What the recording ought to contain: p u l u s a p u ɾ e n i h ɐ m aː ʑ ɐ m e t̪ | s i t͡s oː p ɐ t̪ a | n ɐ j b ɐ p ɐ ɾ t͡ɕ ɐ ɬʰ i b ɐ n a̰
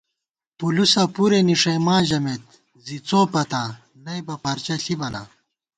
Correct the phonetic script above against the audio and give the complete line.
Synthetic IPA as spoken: p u l u s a p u ɾ e n i ʂ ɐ m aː ʑ ɐ m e t̪ | z i t͡s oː p ɐ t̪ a | n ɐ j b ɐ p ɐ ɾ t͡ɕ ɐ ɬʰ i b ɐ n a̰